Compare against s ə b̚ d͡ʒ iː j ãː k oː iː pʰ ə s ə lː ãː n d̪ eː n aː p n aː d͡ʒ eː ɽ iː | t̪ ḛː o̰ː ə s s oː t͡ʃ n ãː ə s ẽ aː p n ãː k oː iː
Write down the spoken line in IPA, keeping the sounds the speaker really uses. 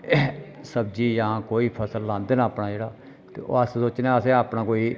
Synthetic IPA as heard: s ə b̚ d͡ʒ iː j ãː k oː iː pʰ ə s ə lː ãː n d̪ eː n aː p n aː d͡ʒ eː ɽ aː | t̪ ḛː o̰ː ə s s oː t͡ʃ n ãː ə s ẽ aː p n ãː k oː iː

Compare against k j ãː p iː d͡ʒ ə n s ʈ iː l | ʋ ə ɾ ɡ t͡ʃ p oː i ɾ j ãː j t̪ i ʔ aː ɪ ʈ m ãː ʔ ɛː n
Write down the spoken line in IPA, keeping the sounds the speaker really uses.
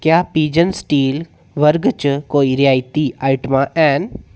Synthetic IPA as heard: k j aː p iː d͡ʒ ə n s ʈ iː l | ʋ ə ɾ ɡ t͡ʃ k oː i ɾ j aː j t̪ i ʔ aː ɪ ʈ m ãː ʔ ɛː n

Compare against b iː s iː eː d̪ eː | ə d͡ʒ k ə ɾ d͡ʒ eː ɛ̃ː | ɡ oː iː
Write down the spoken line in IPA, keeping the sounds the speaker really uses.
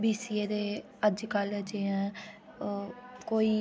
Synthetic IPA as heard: b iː s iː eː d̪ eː | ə d͡ʒ k ə l d͡ʒ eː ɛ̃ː | k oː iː

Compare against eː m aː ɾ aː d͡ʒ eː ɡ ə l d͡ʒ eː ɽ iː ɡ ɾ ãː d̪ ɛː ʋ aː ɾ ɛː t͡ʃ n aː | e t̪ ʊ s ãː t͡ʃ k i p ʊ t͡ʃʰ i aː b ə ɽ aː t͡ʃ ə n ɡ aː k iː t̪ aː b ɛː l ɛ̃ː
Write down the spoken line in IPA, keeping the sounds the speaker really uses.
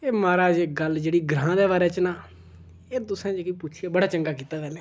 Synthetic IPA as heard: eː m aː ɾ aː d͡ʒ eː ɡ ə l d͡ʒ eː ɽ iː ɡ ɾ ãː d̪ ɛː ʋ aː ɾ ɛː t͡ʃ n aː | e t̪ ʊ s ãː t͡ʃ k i p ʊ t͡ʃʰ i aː b ə ɽ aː t͡ʃ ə ŋ ɡ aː k iː t̪ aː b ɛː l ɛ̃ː

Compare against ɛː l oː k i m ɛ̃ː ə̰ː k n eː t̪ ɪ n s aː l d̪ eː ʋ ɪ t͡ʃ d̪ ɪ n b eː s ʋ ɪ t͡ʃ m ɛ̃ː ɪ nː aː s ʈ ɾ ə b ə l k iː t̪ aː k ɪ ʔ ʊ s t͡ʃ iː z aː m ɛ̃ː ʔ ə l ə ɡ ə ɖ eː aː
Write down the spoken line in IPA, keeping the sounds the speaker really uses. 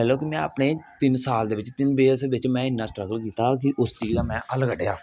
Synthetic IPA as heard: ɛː l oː k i m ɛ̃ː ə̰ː p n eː t̪ ɪ n s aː l d̪ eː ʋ ɪ t͡ʃ t̪ ɪ n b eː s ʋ ɪ t͡ʃ m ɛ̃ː ɪ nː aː s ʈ ɾ ə ɡ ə l k iː t̪ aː k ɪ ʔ ʊ s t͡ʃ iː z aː m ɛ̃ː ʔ ə l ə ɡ ə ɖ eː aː

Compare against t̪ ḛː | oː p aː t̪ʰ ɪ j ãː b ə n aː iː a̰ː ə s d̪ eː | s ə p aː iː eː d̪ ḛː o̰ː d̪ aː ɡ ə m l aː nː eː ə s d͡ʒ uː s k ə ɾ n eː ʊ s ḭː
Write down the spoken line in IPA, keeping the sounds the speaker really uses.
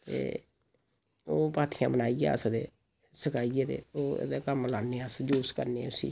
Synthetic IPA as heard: t̪ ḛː | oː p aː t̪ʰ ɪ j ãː b ə n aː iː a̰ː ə s d̪ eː | s ə k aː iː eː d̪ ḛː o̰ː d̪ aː k ə m l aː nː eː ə s d͡ʒ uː s k ə ɾ n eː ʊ s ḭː

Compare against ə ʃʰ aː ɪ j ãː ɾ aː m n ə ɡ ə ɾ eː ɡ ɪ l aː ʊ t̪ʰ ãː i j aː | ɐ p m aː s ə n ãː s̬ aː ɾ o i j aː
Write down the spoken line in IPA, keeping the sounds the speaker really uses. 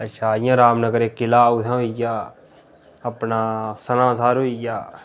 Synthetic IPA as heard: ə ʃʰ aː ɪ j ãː ɾ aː m n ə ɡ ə ɾ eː k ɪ l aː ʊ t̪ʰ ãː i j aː | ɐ p n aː s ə n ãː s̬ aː ɾ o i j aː

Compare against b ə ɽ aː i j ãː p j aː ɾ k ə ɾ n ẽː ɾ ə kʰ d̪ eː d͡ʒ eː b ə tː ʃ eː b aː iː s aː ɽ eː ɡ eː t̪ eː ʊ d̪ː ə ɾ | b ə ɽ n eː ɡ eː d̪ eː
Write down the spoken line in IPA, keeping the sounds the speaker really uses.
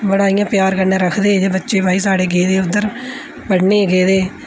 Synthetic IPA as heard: b ə ɽ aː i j ãː p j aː ɾ k ə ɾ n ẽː ɾ ə kʰ d̪ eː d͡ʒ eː b ə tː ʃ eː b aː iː s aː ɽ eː ɡ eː d̪ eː ʊ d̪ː ə ɾ | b ə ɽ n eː ɡ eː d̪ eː

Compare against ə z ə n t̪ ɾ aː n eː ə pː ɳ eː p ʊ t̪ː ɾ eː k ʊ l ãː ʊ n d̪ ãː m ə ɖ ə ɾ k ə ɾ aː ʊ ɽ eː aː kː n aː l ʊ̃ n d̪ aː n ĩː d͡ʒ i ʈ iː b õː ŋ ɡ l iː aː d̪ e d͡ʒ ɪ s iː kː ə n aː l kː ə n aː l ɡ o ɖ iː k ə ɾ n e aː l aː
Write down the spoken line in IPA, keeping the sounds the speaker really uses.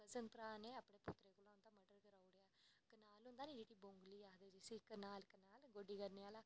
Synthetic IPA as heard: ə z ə n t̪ ɾ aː n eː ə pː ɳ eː p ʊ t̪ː ɾ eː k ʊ l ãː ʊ n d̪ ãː m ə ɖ ə ɾ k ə ɾ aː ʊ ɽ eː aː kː n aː l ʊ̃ n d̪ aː n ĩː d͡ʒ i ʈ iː b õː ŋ ɡ l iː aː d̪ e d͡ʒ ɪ s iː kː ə n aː l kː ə n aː l ɡ o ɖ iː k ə ɾ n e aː l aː

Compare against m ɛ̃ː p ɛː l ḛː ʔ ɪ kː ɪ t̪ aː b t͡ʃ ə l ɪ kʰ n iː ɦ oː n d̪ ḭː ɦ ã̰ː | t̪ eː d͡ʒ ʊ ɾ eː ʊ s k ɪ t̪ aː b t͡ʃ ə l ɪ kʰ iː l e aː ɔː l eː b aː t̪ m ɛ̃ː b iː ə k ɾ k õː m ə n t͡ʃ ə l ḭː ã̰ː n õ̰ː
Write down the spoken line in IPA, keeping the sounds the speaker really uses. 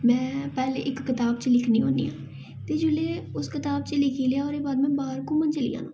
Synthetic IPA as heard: m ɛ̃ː p ɛː l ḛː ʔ ɪ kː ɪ t̪ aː b t͡ʃ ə l ɪ kʰ n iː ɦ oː n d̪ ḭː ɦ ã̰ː | t̪ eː d͡ʒ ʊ l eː ʊ s k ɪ t̪ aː b t͡ʃ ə l ɪ kʰ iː l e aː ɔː ɾ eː b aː d̪ m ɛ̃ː b aː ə ɾ k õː m ə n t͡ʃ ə l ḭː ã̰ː n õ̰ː

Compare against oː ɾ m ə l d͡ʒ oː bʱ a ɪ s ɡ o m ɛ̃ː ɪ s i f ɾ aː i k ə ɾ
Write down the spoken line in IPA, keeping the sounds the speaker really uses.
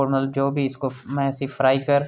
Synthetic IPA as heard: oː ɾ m ə l d͡ʒ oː bʱ i ɪ s k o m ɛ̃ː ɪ s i f ɾ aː i k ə ɾ

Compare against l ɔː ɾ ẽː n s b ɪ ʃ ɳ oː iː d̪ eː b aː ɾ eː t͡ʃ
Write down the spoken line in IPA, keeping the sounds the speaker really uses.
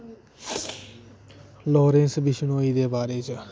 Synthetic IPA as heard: l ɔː ɾ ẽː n s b ɪ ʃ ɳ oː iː d̪ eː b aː ɾ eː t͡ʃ

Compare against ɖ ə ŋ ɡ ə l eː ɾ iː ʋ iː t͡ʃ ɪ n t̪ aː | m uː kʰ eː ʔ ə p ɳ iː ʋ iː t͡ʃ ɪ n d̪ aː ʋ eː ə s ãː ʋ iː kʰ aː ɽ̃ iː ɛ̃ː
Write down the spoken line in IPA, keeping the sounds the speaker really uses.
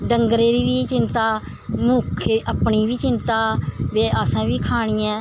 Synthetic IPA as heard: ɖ ə ŋ ɡ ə ɾ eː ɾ iː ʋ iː t͡ʃ ɪ n t̪ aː | m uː kʰ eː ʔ ə p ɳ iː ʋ iː t͡ʃ ɪ n t̪ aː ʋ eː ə s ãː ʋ iː kʰ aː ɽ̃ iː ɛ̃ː

